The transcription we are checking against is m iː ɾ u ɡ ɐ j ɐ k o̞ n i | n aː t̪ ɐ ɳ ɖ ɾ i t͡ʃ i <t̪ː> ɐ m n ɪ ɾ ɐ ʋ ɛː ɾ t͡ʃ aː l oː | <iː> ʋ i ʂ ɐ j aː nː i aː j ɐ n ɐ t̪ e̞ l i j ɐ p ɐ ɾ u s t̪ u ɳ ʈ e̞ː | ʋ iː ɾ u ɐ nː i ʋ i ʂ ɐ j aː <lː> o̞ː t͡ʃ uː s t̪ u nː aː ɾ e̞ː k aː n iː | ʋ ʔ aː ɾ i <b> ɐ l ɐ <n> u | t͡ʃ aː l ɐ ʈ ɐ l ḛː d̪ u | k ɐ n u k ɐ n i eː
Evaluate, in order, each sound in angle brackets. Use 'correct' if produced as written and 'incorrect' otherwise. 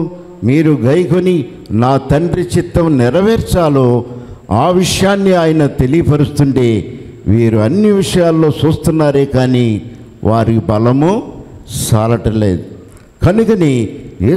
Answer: correct, incorrect: aː, correct, correct, incorrect: m

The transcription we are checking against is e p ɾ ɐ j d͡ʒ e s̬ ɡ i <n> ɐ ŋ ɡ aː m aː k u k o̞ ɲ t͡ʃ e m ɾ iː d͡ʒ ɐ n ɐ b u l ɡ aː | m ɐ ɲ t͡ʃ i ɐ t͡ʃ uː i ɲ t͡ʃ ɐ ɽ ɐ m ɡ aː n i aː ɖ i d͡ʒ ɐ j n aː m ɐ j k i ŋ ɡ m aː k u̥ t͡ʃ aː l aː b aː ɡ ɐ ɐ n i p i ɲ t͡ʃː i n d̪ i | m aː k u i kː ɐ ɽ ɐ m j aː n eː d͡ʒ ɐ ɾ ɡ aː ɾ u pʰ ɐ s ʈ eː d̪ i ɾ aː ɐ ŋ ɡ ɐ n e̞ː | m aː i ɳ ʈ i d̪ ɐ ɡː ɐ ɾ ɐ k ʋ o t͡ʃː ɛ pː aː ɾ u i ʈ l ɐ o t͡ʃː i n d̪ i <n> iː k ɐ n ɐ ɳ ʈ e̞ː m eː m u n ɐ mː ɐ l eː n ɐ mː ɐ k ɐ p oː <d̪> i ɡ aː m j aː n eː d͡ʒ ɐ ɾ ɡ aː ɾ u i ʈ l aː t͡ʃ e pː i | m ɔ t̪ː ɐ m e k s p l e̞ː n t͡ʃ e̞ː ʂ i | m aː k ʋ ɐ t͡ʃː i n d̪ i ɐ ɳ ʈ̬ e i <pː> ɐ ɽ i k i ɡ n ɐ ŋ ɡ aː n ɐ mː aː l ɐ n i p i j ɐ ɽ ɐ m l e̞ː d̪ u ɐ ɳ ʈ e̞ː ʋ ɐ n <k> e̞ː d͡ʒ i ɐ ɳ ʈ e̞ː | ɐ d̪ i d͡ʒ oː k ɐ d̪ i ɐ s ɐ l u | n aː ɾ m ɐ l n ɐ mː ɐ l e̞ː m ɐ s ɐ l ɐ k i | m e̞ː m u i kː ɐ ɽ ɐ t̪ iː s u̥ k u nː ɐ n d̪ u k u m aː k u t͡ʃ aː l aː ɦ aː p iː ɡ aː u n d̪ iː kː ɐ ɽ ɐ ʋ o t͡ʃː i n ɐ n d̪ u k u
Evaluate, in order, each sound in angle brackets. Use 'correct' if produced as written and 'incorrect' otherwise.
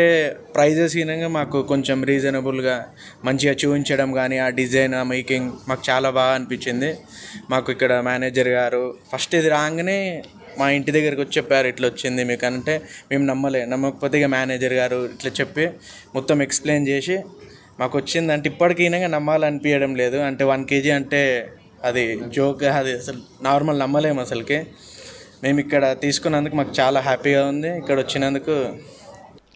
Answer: correct, incorrect: m, incorrect: t̪, correct, correct

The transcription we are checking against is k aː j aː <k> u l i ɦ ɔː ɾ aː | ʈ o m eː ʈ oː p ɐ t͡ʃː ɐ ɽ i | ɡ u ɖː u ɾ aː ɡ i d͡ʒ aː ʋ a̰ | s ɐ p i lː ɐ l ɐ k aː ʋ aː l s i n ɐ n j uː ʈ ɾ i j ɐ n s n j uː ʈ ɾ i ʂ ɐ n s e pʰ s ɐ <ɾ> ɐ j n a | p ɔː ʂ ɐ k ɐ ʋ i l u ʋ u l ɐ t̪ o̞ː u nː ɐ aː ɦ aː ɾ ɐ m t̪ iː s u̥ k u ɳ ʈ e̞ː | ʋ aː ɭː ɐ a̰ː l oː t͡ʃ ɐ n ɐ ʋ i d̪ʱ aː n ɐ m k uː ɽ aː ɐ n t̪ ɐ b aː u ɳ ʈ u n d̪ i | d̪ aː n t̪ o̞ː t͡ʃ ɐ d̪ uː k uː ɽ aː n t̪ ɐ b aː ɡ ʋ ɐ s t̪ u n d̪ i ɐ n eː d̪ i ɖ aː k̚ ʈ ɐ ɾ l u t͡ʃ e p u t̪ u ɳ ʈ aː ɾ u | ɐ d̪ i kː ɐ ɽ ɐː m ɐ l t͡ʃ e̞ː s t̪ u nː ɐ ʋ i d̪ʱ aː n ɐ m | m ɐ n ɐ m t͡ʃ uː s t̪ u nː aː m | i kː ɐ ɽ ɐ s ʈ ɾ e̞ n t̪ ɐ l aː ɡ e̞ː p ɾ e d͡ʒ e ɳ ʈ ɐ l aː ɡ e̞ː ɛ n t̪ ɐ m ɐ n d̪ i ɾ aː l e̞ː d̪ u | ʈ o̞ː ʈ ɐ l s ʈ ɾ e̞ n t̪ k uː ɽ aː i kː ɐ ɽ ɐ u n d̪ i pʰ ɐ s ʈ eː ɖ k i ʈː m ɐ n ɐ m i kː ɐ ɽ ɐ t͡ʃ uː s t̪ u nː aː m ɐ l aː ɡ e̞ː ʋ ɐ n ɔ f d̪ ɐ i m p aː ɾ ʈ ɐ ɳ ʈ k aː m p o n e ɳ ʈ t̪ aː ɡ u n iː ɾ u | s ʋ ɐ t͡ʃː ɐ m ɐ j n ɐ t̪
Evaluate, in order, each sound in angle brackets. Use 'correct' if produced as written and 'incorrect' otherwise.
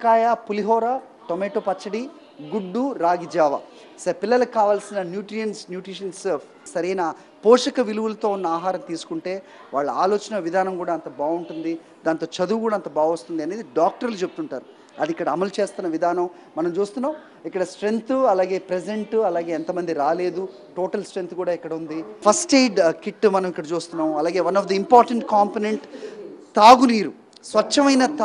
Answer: incorrect: p, correct

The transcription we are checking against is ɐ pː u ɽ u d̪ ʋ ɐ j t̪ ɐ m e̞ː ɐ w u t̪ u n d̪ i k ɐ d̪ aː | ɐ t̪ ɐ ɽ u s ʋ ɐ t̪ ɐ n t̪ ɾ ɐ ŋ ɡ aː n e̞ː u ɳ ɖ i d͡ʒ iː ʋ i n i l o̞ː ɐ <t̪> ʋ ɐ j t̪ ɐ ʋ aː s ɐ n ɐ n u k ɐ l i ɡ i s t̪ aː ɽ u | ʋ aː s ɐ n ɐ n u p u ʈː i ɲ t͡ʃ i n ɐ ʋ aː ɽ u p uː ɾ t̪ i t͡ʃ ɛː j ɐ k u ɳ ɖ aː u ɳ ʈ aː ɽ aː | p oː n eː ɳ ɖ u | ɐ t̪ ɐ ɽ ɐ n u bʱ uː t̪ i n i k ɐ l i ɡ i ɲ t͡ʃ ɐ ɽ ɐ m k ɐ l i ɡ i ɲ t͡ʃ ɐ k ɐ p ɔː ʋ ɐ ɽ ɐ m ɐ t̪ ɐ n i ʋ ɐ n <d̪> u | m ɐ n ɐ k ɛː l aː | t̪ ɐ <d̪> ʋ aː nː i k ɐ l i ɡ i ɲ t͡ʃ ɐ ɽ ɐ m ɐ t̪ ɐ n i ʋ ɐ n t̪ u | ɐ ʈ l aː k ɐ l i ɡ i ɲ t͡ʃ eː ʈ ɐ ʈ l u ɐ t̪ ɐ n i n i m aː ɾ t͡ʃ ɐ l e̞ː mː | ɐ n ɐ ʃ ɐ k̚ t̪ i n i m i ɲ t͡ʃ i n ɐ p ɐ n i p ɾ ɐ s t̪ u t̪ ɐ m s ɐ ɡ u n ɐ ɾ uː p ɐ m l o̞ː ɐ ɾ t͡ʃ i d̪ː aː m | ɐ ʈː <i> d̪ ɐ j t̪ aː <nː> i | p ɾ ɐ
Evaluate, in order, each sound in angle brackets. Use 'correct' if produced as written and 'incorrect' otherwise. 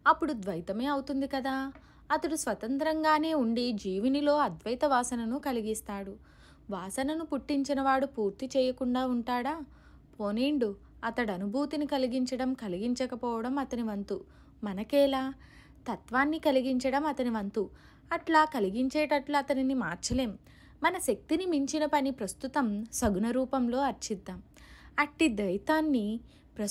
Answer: incorrect: d̪, incorrect: t̪, incorrect: t̪, correct, correct

